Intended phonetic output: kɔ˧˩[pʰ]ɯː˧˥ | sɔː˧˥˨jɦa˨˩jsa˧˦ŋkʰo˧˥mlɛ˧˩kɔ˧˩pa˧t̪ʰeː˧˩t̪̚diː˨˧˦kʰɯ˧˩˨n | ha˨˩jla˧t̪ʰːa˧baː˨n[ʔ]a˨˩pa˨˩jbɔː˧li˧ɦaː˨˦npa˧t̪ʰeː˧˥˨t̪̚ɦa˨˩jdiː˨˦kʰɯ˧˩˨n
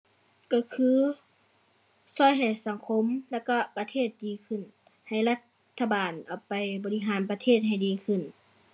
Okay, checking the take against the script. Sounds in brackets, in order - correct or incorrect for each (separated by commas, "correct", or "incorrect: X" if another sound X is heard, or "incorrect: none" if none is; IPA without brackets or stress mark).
incorrect: kʰ, correct